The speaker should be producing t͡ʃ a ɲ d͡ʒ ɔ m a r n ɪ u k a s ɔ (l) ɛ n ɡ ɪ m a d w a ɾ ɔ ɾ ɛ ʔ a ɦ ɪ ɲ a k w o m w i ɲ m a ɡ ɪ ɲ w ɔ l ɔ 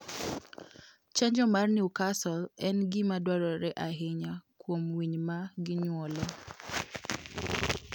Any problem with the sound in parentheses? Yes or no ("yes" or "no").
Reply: no